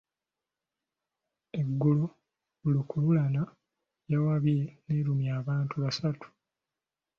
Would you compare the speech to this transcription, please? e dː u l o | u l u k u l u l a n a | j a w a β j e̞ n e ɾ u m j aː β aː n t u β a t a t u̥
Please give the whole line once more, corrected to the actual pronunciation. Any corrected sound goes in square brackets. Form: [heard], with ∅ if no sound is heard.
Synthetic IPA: e [ɡː] u l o | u l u k u l u l a n a | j a w a β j e̞ n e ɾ u m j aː β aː n t u β a [s] a t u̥